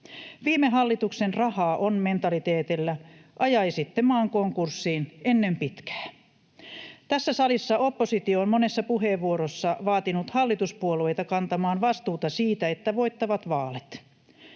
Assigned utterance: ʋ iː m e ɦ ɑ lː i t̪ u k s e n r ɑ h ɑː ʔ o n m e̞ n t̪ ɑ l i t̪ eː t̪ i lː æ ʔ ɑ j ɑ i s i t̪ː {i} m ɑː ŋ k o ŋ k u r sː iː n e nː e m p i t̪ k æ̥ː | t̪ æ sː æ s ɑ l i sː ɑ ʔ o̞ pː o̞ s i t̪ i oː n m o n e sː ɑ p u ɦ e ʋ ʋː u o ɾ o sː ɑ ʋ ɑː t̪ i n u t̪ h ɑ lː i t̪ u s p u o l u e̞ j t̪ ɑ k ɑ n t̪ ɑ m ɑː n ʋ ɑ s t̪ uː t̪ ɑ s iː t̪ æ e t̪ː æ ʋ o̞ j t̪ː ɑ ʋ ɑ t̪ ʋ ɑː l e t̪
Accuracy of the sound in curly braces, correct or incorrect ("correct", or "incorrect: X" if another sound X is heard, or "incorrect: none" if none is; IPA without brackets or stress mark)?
incorrect: e